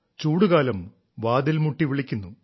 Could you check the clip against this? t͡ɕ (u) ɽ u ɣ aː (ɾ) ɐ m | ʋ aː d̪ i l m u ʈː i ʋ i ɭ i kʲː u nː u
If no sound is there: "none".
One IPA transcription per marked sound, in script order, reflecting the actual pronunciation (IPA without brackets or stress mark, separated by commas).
uː, l